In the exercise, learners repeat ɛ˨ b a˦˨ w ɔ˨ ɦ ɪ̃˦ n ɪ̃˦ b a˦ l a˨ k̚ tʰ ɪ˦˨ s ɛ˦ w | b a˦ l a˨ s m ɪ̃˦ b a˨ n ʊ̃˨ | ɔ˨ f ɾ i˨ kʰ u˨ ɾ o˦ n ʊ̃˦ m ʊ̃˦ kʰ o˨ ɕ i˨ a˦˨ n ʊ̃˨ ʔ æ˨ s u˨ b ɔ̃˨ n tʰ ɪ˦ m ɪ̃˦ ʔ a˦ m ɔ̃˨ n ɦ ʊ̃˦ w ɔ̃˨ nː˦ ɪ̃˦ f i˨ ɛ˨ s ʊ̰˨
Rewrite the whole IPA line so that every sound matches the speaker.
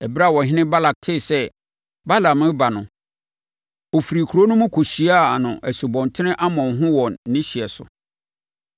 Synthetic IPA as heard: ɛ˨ b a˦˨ w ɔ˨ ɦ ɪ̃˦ n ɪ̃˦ b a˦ l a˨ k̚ tʰ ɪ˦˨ s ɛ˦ | b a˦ l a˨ m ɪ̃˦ b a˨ n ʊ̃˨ | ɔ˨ f ɾ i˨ kʰ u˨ ɾ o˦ n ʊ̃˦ m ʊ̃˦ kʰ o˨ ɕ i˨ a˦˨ n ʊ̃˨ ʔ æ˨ s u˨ b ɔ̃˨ n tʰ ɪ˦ n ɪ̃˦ ʔ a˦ m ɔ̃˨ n ɦ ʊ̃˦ w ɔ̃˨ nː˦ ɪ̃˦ ɕ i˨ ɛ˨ s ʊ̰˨